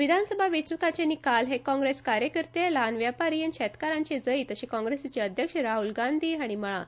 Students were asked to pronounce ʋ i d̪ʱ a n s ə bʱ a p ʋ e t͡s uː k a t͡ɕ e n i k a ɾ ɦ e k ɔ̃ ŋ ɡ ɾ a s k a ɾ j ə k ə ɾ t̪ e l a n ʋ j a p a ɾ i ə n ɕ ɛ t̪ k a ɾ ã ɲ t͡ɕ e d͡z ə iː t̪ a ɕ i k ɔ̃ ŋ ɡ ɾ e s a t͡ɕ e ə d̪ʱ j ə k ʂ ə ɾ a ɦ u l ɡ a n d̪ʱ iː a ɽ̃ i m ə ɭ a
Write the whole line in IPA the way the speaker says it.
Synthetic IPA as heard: ʋ i d̪ʱ a n s ə bʱ a ʋ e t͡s u k a t͡ɕ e n i k a l ɦ e k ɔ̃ ŋ ɡ ɾ e s k a ɾ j ə k ə ɾ t̪ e l a n ʋ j a p a ɾ i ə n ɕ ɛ t̪ k a ɾ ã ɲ t͡ɕ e d͡z ə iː t̪ ə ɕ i k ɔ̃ ŋ ɡ ɾ e s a t͡ɕ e ə d̪ʱ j ə k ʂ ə ɾ a ɦ u l ɡ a n d̪ʱ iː a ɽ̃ i m ə ɭ a